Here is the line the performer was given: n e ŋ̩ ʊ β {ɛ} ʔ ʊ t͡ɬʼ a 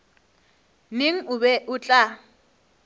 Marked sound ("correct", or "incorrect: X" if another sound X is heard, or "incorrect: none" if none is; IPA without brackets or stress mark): correct